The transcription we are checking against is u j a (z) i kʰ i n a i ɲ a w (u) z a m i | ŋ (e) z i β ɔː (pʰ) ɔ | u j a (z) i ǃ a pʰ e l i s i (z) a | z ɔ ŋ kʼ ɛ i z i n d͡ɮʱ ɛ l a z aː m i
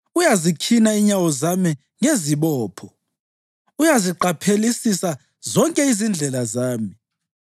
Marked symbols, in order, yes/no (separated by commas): yes, no, yes, yes, yes, no